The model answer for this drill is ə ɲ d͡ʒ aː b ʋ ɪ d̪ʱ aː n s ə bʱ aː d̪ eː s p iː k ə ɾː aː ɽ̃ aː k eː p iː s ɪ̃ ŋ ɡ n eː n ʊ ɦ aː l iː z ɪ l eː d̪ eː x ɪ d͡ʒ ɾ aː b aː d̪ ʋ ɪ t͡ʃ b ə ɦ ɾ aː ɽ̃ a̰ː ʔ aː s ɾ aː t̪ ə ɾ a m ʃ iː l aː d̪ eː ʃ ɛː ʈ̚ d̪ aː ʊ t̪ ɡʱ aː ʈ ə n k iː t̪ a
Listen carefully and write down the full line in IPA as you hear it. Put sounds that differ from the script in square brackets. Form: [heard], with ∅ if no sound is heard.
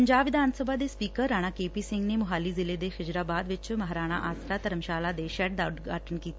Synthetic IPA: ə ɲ d͡ʒ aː b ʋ ɪ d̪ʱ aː n s ə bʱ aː d̪ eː s p iː k ə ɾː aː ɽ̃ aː k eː p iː s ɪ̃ ŋ ɡ n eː [m] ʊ ɦ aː l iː z ɪ l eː d̪ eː x ɪ d͡ʒ ɾ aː b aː d̪ ʋ ɪ t͡ʃ [m] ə ɦ ɾ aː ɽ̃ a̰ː ʔ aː s ɾ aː t̪ ə ɾ [ə] m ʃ [aː] l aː d̪ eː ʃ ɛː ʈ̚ d̪ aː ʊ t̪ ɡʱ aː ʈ ə n k iː t̪ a